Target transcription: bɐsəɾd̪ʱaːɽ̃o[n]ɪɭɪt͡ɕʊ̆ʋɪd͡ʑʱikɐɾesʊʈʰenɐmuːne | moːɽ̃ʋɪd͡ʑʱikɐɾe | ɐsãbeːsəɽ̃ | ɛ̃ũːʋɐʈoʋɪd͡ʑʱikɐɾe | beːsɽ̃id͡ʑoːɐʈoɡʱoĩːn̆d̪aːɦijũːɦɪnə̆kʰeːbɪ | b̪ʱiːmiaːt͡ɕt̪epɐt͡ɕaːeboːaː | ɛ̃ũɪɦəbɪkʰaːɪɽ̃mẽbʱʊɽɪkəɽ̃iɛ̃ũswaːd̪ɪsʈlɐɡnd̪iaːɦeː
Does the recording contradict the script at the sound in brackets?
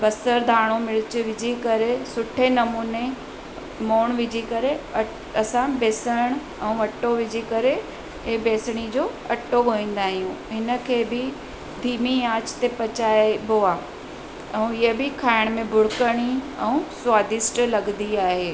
yes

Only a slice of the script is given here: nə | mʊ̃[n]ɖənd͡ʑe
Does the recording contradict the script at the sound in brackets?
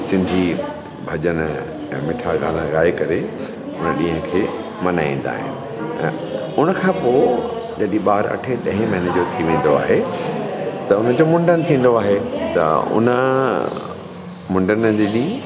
yes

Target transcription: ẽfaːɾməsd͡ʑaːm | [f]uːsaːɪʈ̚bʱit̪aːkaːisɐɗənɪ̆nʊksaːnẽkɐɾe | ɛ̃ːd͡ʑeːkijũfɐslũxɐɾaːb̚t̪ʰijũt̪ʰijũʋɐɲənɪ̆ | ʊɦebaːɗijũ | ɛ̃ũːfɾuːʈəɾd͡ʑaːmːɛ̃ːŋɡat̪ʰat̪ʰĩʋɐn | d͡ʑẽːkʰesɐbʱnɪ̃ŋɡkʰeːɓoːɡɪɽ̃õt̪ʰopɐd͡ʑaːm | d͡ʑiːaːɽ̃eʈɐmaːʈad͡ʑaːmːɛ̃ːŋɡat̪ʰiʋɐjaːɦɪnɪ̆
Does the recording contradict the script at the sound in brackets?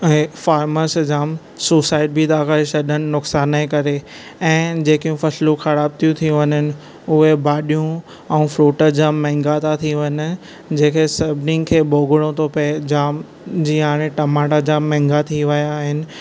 yes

